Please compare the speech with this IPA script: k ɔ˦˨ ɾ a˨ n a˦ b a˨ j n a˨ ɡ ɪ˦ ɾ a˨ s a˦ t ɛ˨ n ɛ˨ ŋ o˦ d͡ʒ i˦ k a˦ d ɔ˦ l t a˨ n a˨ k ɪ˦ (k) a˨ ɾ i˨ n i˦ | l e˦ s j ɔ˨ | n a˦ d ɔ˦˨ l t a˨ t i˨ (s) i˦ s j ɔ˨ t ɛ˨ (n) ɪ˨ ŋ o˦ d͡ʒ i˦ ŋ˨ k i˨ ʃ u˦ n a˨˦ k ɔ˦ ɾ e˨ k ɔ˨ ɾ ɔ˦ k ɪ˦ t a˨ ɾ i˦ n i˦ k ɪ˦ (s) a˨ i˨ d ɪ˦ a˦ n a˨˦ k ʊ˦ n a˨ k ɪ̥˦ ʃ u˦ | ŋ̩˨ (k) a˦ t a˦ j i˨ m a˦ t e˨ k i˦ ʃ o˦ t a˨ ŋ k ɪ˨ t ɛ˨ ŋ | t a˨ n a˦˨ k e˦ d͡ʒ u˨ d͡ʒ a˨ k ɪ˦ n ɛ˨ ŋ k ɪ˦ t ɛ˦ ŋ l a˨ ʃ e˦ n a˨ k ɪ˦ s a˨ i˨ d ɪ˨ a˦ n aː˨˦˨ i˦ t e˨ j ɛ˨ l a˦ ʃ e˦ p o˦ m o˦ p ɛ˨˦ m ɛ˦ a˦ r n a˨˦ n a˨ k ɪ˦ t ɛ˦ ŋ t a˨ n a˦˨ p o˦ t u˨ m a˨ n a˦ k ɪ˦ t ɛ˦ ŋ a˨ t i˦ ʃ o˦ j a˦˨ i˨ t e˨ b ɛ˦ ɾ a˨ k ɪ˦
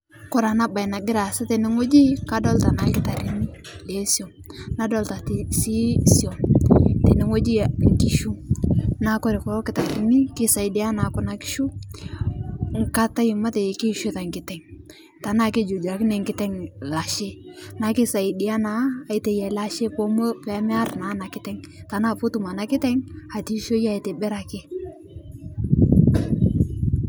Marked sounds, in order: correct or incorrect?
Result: incorrect: t, correct, correct, correct, correct

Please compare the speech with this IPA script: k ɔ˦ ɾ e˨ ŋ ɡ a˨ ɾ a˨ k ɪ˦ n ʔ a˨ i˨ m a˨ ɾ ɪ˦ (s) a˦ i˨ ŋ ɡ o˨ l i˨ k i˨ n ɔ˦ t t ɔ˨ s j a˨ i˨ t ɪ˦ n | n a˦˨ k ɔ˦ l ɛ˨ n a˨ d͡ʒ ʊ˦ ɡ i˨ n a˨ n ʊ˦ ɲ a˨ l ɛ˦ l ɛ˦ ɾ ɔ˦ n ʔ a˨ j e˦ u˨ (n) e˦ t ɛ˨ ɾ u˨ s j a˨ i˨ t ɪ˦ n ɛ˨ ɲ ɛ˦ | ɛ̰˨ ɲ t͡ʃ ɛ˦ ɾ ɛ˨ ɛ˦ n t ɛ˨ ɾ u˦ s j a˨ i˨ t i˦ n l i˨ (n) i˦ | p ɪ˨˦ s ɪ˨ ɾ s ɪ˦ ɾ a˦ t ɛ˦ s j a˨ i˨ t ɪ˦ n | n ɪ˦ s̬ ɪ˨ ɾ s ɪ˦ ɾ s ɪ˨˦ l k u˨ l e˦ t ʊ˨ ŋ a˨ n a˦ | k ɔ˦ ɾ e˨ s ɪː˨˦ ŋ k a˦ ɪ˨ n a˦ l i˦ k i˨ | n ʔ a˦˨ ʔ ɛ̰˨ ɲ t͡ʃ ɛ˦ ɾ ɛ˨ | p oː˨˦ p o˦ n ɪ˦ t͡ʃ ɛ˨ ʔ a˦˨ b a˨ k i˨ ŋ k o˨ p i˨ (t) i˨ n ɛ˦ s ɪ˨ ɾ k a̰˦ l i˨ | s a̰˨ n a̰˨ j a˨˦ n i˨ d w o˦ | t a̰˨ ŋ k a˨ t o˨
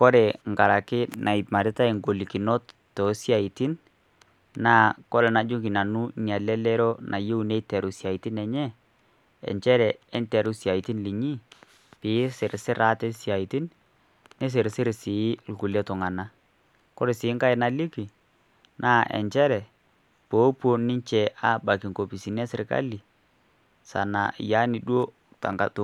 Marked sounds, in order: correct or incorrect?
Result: incorrect: t, correct, incorrect: ɲ, incorrect: s

